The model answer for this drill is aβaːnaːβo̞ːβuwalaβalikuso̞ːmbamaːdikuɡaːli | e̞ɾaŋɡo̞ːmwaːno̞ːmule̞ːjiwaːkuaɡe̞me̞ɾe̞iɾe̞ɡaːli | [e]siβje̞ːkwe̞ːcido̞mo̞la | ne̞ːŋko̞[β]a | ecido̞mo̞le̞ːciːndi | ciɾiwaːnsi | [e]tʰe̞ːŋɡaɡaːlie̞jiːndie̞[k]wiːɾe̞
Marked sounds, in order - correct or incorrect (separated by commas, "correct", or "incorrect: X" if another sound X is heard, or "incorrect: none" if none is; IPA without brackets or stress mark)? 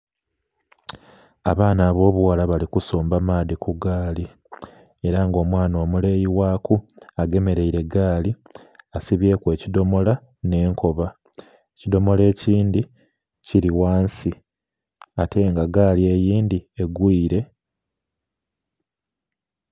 incorrect: a, correct, incorrect: a, incorrect: ɡ